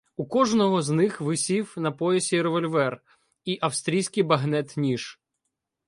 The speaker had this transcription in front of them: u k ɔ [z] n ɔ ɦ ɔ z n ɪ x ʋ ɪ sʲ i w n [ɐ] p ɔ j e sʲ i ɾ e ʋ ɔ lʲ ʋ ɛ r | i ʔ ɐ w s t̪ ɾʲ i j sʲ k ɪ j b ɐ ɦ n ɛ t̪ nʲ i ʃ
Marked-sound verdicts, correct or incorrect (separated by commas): incorrect, correct